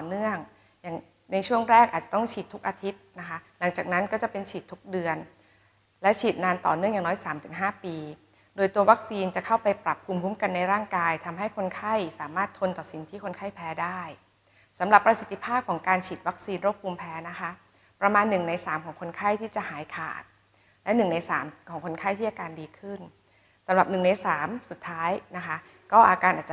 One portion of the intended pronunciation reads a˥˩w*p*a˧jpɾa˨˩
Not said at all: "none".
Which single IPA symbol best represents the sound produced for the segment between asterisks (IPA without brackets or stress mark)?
p